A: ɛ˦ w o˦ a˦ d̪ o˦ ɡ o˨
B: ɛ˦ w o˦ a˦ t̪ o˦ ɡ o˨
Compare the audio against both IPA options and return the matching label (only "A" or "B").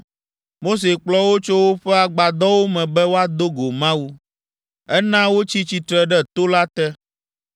A